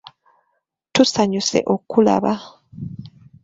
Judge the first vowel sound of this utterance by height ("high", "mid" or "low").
high